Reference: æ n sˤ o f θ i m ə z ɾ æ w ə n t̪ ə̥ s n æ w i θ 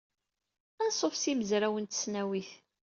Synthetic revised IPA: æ n sˤ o f s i m ə z ɾ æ w ə n t̪ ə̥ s n æ w i θ